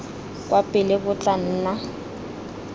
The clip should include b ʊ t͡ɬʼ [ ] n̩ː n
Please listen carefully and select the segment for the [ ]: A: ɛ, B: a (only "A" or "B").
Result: B